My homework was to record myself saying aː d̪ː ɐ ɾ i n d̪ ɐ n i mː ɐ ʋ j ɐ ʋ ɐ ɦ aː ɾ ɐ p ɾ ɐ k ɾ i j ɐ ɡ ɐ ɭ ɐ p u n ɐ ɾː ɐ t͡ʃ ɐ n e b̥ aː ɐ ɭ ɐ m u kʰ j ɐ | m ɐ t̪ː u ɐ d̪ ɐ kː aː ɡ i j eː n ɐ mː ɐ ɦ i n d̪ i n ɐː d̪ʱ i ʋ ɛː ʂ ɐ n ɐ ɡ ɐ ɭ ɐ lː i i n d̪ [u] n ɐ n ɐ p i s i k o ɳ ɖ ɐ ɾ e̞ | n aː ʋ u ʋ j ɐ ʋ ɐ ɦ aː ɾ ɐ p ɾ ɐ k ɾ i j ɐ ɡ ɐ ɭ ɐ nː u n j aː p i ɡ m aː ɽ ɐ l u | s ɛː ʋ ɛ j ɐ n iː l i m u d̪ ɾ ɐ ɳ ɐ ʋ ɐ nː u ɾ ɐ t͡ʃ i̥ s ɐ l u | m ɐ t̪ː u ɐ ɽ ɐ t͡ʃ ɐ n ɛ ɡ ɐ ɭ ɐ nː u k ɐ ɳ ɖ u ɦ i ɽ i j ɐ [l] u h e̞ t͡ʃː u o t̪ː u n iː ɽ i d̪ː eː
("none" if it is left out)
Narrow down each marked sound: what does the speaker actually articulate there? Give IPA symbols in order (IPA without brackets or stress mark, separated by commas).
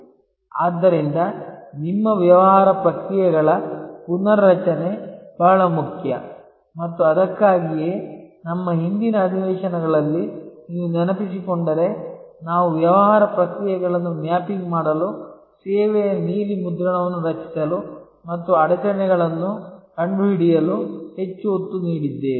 u, l